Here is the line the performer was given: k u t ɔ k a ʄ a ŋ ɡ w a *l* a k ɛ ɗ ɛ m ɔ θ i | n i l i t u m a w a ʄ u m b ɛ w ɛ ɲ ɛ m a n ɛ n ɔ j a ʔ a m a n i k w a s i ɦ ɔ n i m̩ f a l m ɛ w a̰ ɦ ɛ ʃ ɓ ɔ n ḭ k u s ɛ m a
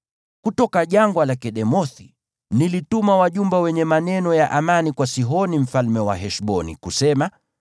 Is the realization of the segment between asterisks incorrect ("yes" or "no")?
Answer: no